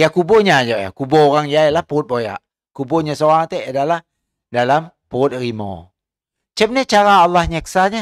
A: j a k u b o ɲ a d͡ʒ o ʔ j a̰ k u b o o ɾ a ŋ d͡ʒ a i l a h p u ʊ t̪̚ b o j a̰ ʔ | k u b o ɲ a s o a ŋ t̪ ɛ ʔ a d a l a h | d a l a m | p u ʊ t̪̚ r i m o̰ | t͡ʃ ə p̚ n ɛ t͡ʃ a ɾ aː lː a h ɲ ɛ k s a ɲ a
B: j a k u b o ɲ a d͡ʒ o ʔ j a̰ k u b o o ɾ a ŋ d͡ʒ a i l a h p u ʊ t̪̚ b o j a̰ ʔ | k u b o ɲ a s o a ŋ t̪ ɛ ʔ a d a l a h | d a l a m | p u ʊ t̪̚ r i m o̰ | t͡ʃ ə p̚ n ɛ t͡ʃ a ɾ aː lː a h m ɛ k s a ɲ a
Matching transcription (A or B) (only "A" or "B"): A